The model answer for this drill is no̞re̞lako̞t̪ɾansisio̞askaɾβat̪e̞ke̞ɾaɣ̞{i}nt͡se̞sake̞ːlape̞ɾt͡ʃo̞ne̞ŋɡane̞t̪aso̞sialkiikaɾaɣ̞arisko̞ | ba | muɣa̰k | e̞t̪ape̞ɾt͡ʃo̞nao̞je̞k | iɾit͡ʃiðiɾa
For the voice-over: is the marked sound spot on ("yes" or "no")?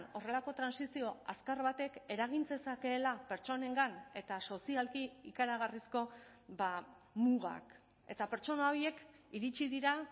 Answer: yes